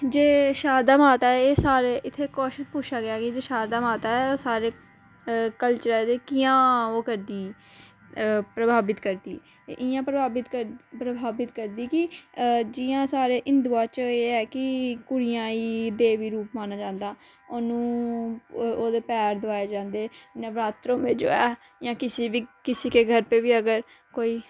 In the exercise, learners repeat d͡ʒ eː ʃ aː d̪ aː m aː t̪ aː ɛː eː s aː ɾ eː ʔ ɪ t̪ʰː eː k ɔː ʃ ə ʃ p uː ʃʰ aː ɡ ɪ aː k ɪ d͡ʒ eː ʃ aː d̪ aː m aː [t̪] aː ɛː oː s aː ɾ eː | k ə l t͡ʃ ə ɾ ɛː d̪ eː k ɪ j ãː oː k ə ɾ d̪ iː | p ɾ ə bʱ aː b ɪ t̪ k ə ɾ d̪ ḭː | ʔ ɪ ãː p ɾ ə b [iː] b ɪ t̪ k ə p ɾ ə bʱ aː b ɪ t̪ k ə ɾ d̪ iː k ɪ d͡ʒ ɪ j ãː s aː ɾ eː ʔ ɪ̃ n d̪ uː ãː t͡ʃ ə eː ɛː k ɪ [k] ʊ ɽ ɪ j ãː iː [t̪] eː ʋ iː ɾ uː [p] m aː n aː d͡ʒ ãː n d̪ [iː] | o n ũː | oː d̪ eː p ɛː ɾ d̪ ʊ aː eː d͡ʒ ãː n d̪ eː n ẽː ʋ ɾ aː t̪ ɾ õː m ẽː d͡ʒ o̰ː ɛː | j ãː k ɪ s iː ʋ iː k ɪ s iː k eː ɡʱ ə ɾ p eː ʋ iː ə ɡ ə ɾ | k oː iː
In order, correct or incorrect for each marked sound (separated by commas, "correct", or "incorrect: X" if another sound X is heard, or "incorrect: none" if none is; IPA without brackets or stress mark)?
correct, incorrect: aː, correct, incorrect: d̪, correct, incorrect: aː